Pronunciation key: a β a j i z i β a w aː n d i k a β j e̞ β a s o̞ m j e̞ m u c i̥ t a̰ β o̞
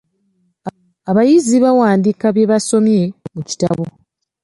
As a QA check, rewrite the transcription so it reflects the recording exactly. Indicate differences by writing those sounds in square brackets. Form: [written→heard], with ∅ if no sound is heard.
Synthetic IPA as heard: a β a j i z i β a w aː n d i k a β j e̞ β a s o̞ m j e̞ m u c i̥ t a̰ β o̞